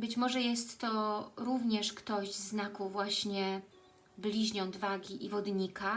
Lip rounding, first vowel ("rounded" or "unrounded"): unrounded